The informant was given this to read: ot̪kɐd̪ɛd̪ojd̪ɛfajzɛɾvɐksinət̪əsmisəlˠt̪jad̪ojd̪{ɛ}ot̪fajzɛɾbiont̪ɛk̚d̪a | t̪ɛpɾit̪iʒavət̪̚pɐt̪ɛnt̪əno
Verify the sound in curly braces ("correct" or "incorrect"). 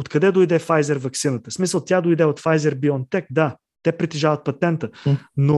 correct